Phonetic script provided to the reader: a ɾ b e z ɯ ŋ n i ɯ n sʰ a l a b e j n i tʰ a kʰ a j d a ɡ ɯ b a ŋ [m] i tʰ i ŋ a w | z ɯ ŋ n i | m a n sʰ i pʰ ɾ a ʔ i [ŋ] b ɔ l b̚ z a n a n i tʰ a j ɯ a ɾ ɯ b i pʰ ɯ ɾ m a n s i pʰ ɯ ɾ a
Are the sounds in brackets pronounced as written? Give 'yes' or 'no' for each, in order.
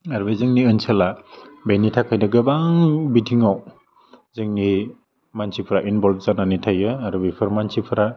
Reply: no, no

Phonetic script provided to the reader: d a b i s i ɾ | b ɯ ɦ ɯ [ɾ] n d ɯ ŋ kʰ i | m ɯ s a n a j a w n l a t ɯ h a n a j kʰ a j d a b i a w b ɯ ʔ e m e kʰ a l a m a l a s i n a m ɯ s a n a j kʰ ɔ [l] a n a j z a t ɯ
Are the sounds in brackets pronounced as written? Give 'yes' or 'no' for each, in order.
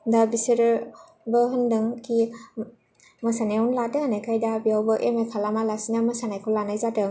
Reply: no, yes

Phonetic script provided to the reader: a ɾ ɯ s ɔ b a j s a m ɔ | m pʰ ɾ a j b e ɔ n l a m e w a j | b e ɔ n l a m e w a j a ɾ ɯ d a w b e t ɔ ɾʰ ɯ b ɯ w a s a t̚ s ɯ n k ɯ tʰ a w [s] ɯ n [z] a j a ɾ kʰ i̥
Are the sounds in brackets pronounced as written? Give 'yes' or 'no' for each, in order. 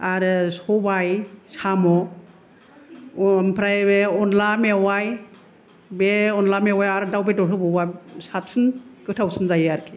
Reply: yes, yes

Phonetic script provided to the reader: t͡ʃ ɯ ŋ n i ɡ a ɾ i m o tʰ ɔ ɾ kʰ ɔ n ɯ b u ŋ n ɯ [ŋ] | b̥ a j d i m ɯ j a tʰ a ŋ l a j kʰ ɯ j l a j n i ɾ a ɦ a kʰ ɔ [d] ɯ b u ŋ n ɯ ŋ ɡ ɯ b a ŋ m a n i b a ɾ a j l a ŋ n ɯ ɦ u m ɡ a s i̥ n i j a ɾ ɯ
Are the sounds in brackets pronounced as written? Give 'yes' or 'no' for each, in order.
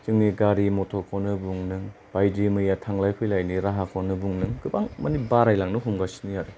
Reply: yes, no

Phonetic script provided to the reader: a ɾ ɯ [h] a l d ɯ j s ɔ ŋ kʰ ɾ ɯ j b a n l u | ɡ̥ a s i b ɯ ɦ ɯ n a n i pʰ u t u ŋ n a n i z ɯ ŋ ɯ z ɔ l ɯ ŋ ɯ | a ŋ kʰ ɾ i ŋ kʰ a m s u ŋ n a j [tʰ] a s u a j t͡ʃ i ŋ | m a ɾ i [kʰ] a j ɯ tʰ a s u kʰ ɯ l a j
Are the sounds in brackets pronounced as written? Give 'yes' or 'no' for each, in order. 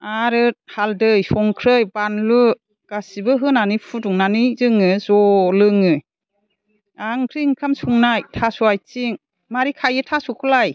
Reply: yes, yes, yes

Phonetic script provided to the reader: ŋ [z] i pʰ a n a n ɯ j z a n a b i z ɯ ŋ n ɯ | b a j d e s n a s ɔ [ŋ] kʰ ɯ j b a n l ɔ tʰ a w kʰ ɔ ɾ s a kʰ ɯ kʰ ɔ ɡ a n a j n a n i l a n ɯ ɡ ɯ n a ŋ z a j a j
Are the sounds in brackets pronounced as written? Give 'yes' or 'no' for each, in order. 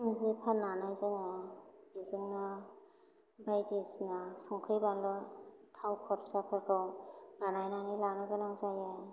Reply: yes, yes

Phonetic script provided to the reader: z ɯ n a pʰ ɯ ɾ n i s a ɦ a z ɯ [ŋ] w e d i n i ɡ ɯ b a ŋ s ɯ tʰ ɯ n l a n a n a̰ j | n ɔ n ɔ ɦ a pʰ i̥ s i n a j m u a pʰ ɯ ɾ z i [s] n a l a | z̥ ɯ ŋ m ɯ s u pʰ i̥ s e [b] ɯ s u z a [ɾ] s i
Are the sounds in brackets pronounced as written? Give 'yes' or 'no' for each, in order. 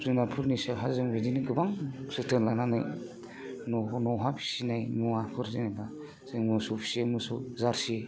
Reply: yes, no, no, yes

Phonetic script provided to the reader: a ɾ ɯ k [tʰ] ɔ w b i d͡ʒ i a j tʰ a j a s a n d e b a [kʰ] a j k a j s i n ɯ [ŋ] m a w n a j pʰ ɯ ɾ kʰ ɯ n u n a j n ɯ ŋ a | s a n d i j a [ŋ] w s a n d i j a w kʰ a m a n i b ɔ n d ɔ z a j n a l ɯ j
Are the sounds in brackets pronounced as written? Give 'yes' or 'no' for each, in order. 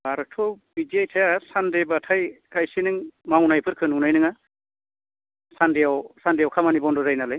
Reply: yes, no, yes, no

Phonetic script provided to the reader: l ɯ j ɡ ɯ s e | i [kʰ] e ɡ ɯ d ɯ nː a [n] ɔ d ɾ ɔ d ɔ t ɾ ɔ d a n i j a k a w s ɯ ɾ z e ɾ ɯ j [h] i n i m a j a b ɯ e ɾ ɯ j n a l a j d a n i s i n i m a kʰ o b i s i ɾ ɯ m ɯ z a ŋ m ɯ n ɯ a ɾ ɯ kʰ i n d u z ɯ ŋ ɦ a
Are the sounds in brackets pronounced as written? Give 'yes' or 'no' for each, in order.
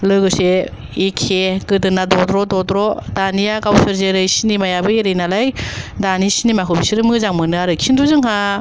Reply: yes, no, no

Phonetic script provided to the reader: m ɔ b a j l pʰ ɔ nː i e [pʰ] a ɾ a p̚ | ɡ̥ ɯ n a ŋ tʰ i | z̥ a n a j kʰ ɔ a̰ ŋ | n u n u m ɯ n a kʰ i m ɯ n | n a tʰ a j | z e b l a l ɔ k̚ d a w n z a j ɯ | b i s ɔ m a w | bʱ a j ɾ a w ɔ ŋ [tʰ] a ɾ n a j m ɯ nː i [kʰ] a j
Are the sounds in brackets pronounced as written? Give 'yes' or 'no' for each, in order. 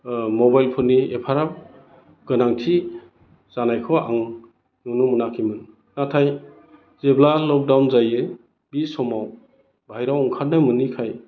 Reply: yes, no, yes

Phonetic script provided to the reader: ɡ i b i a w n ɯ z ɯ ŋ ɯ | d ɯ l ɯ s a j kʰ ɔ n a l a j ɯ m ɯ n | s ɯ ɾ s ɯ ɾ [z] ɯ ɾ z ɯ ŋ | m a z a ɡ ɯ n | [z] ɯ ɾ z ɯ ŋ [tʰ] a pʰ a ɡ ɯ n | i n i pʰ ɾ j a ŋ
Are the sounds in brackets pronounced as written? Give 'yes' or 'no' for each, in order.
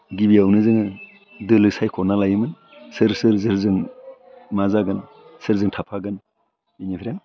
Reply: yes, no, yes

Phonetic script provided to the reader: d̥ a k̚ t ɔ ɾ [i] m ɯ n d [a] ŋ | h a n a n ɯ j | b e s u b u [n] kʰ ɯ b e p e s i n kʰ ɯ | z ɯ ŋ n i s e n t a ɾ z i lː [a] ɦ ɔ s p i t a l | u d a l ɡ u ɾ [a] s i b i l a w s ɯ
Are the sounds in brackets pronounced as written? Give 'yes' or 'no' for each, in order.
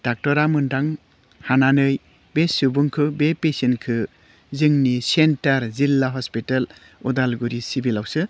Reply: no, yes, no, yes, no

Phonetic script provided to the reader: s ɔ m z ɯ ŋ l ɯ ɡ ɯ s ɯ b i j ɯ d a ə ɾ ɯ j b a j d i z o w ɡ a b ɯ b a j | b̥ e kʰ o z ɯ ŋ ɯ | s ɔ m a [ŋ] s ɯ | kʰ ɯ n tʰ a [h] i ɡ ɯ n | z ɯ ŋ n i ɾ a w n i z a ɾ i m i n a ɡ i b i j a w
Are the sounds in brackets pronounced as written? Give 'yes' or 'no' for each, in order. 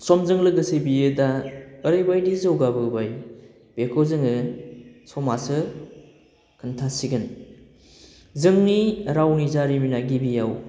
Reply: no, no

